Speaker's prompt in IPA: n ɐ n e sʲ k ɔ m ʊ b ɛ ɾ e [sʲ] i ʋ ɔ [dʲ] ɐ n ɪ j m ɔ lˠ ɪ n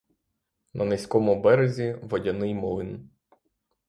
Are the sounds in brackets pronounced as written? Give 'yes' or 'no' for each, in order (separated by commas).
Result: no, yes